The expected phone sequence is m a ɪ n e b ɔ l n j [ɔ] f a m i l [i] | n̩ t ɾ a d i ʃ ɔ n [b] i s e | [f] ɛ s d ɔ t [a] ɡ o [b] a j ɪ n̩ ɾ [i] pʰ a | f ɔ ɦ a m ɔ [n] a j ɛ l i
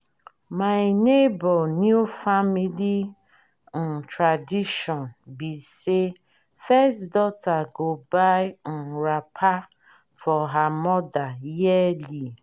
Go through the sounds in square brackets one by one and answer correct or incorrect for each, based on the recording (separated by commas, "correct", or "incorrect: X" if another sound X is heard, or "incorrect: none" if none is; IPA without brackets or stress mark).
incorrect: u, correct, correct, correct, correct, correct, incorrect: a, incorrect: d